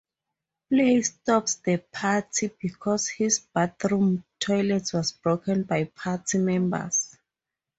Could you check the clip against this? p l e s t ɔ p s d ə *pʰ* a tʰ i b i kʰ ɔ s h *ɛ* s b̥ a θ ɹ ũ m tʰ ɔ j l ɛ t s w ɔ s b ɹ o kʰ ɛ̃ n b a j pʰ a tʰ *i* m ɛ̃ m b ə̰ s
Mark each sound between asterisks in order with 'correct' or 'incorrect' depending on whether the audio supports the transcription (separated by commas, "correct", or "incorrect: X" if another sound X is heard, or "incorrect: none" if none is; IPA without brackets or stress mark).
correct, incorrect: i, correct